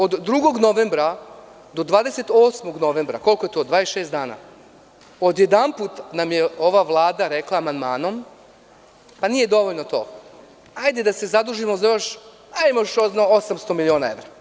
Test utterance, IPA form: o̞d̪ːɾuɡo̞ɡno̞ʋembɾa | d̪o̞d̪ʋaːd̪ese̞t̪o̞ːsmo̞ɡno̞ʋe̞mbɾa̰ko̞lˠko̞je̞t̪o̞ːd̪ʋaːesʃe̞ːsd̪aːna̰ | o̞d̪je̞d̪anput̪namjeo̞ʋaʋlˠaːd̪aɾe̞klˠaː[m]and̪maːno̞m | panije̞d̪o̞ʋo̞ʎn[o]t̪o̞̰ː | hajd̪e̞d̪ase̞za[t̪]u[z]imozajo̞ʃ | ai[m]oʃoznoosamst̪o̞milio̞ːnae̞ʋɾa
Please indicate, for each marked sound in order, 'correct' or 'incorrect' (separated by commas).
correct, correct, incorrect, incorrect, correct